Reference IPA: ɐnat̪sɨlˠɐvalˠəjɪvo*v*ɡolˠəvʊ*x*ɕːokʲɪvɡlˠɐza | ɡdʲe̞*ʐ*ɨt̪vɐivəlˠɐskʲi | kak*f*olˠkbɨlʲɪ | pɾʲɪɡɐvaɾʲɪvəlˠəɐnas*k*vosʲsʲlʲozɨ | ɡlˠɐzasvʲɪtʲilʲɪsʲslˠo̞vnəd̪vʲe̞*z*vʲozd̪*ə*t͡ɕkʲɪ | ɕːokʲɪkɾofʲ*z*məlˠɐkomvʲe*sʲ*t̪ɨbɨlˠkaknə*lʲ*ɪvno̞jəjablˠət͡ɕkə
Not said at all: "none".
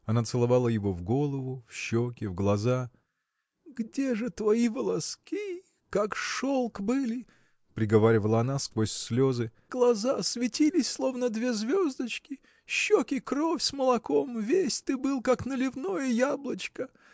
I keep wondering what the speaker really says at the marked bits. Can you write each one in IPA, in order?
v, f, ʐ, ʂ, k, z, ə, s, sʲ, lʲ

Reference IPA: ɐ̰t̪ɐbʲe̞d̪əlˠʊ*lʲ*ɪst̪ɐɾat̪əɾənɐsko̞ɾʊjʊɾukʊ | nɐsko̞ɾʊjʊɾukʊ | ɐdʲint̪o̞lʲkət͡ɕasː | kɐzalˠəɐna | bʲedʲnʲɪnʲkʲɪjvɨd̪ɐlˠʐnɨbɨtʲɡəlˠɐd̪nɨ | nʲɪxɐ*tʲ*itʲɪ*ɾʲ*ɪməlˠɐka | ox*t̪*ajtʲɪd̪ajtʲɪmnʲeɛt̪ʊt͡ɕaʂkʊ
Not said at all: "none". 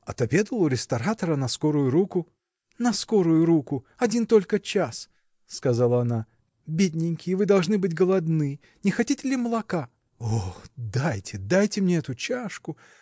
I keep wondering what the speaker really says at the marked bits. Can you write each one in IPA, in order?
ɾʲ, tʲ, lʲ, d̪

